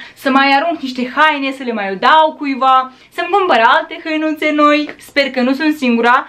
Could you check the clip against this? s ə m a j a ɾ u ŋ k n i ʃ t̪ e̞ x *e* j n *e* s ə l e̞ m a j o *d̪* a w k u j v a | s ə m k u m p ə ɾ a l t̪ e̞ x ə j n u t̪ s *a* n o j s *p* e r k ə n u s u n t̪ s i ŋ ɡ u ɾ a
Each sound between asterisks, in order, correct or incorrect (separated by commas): incorrect, correct, correct, incorrect, correct